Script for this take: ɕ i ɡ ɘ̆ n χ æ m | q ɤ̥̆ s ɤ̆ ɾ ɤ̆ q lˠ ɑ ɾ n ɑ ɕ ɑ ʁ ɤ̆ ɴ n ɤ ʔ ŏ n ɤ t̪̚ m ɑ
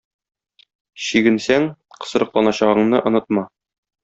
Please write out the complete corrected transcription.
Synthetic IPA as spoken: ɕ i ɡ ɘ̆ n s æ ŋ | q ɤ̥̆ s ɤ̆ ɾ ɤ̆ q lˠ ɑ n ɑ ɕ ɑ ʁ ɤ̆ ɴ n ɤ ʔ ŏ n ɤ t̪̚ m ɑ